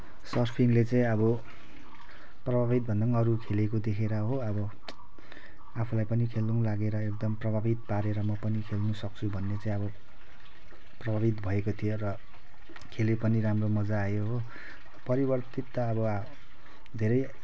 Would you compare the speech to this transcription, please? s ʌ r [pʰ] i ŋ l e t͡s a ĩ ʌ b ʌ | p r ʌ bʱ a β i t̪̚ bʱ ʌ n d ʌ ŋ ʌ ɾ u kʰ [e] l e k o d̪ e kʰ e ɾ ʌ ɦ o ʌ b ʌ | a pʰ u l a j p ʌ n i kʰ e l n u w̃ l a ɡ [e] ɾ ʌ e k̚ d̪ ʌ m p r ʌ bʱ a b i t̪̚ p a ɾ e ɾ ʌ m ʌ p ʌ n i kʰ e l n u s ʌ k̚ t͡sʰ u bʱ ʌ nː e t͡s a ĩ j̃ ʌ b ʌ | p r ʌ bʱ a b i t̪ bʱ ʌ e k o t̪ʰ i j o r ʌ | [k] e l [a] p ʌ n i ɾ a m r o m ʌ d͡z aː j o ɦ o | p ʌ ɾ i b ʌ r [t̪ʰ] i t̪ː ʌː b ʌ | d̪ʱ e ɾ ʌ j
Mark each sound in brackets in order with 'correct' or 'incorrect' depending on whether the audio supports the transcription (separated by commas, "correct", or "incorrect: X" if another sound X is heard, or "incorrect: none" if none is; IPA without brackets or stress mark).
correct, correct, correct, incorrect: kʰ, incorrect: e, incorrect: t̪